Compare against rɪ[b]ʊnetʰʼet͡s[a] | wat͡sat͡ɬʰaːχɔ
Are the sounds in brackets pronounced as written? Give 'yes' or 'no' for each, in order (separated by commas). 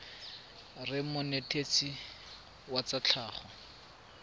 no, no